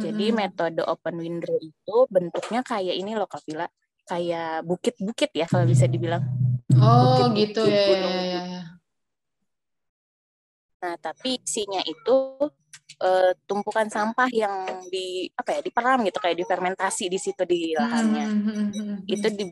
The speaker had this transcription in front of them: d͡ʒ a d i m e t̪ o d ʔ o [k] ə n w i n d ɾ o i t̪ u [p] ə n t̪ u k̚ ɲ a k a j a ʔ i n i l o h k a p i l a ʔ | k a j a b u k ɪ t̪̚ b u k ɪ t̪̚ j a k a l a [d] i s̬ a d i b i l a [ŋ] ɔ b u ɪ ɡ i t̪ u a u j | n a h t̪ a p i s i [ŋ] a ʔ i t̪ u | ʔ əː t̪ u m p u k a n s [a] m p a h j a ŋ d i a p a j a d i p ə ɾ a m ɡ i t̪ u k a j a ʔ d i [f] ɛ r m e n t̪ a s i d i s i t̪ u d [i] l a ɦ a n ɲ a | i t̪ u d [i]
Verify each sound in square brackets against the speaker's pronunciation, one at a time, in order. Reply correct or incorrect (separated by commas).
incorrect, incorrect, incorrect, correct, incorrect, correct, correct, correct, correct